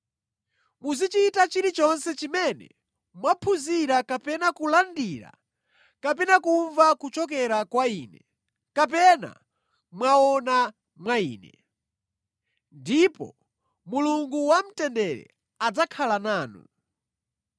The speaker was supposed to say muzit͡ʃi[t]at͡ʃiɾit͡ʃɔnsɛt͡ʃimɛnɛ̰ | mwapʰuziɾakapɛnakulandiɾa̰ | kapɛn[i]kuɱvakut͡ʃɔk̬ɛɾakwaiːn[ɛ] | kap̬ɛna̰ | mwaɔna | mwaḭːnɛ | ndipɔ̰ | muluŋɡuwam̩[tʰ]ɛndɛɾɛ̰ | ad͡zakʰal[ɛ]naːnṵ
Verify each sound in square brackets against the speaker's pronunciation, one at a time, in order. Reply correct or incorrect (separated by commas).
correct, incorrect, correct, incorrect, incorrect